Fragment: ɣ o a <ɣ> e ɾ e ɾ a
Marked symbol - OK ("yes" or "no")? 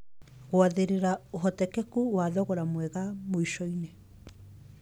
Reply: no